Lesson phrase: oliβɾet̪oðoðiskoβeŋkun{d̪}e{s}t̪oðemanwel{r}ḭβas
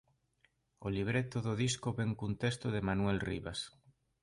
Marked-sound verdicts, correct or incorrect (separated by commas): incorrect, correct, correct